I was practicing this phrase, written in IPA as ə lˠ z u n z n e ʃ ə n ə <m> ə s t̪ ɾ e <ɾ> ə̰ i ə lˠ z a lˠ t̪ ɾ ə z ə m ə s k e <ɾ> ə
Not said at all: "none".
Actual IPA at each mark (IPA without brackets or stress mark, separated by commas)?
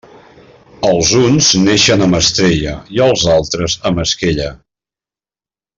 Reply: m, ʎ, ʎ